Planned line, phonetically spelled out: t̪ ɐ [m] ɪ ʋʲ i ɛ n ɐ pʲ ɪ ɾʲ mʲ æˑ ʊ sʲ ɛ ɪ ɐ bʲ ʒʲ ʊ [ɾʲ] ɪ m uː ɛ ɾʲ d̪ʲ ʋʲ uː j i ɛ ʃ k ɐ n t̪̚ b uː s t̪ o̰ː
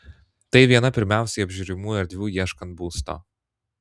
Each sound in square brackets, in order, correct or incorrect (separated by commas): incorrect, correct